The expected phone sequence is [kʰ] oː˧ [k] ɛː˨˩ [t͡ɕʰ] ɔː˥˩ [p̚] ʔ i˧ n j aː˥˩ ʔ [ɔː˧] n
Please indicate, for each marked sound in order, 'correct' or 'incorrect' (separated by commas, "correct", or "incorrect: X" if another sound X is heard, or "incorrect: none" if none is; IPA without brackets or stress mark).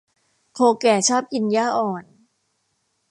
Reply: correct, correct, correct, correct, incorrect: ɔː˨˩